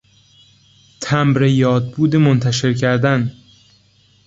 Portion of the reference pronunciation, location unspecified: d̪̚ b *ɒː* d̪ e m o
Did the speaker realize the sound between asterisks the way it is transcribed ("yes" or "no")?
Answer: no